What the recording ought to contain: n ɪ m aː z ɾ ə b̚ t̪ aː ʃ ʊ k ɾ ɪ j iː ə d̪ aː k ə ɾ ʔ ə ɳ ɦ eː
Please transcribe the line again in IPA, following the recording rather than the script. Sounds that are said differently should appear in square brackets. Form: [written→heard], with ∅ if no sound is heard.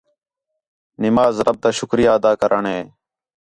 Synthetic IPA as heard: n ɪ m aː z ɾ ə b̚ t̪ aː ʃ ʊ k ɾ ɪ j [iː→aː] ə d̪ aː k ə ɾ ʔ ə ɳ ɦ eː

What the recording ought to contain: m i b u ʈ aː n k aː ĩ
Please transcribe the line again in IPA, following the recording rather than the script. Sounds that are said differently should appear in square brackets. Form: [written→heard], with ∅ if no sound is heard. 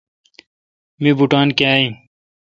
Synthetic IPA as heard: m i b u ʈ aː n k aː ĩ

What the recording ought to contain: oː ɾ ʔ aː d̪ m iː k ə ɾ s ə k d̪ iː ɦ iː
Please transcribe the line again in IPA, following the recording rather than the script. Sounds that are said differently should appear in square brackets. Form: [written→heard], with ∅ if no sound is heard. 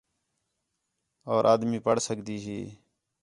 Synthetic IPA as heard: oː ɾ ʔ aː d̪ m iː [k→p] ə [ɾ→ɽ] s ə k d̪ iː ɦ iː

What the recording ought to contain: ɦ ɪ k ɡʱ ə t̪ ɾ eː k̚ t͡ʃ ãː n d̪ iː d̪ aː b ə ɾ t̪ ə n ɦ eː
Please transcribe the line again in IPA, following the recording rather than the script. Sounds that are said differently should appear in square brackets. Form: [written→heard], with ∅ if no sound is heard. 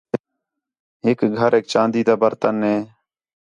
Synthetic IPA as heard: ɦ ɪ k ɡʱ ə [t̪→∅] ɾ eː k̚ t͡ʃ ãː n d̪ iː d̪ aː b ə ɾ t̪ ə n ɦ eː

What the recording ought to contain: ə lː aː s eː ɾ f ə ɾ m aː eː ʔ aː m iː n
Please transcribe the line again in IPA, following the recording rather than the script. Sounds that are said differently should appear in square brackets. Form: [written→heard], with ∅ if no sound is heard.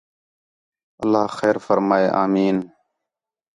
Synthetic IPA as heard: ə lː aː [s→x] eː ɾ f ə ɾ m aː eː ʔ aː m iː n

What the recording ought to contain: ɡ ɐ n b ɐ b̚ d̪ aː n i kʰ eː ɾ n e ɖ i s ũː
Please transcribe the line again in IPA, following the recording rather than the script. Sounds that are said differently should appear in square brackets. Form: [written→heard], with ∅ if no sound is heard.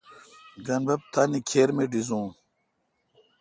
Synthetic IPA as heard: ɡ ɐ n b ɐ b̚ [d̪→t̪] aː n i kʰ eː ɾ [n→m] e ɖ i [s→z] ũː

